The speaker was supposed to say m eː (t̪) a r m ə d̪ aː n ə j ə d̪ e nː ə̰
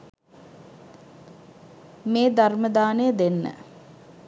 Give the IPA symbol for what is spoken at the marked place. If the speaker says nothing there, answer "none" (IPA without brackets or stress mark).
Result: d̪